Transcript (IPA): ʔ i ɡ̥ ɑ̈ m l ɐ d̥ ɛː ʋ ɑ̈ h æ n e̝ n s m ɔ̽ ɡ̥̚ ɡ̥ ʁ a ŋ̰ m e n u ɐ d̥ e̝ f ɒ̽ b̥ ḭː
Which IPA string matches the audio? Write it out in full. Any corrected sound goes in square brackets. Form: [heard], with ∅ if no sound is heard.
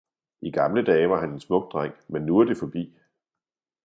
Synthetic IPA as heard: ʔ i ɡ̥ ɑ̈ m l [ə] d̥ ɛː ʋ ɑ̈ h æ n e̝ n s m ɔ̽ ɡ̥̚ [d̥] ʁ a ŋ̰ m e [nː] u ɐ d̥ e̝ f ɒ̽ b̥ ḭː